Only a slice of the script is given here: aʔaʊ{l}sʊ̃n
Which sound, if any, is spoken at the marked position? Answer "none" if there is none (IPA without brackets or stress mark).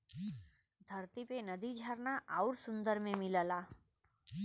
ɾ